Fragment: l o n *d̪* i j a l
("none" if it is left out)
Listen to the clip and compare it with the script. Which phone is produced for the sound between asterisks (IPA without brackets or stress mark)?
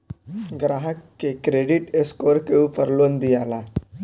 d̪